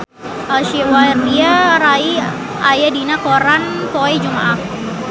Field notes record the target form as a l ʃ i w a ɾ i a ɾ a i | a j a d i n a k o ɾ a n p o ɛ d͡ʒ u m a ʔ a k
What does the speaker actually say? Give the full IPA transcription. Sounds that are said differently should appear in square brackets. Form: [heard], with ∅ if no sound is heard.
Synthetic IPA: a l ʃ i w a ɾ i a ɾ a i | a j a d i n a k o ɾ a n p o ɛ d͡ʒ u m a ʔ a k